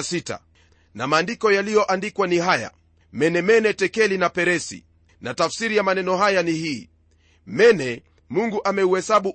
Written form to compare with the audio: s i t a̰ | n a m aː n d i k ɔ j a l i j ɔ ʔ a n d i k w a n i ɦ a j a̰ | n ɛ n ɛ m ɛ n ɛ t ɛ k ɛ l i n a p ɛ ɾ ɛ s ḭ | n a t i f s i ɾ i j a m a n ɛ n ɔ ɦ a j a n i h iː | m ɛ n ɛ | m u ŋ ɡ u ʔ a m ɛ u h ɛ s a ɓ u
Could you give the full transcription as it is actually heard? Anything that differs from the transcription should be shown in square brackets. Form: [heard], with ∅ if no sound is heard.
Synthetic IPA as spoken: s i t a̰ | n a m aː n d i k ɔ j a l i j ɔ ʔ a n d i k w a n i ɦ a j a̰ | [m] ɛ n ɛ m ɛ n ɛ t ɛ k ɛ l i n a p ɛ ɾ ɛ s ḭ | n a t [a] f s i ɾ i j a m a n ɛ n ɔ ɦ a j a n i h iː | m ɛ n ɛ | m u ŋ ɡ u ʔ a m ɛ u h ɛ s a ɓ u